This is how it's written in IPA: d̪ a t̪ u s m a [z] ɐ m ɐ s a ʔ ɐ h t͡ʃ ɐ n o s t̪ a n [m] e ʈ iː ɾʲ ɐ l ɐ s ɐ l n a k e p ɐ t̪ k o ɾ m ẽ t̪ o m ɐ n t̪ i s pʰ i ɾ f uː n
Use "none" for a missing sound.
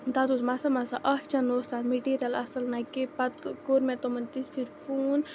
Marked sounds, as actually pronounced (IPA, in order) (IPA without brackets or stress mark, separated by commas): s, m